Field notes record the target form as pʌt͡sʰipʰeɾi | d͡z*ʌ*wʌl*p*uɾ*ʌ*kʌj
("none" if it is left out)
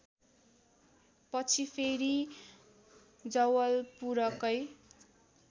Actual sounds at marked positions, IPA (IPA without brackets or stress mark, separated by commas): ʌ, p, ʌ